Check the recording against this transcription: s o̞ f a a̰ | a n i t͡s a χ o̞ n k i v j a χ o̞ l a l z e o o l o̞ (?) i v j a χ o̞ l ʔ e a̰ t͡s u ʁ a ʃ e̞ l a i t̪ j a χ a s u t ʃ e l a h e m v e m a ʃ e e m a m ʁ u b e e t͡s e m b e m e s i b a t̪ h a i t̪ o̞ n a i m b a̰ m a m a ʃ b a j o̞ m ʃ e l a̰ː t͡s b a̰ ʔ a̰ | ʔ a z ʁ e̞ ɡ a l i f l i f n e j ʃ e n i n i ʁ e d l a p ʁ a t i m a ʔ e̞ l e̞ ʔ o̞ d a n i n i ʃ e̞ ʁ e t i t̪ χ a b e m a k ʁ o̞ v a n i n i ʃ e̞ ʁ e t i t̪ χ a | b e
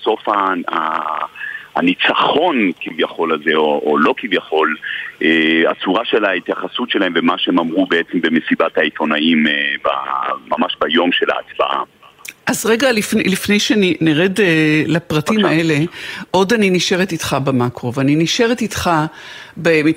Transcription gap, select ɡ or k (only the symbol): k